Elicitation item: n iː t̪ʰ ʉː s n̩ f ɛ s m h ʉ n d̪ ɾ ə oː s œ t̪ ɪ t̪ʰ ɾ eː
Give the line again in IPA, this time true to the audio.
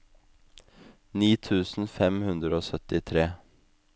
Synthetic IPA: n iː t̪ʰ ʉː s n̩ f ɛ m h ʉ n d̪ ɾ ə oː s œ t̪ ɪ t̪ʰ ɾ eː